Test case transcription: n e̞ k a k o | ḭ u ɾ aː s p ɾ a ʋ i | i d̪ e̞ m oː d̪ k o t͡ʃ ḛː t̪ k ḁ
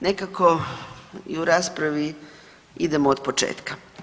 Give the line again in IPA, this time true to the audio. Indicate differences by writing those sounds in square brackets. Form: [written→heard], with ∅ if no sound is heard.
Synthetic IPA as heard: n e̞ k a k o | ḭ u ɾ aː s p ɾ a ʋ i | i d̪ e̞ m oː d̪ [k→p] o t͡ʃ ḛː t̪ k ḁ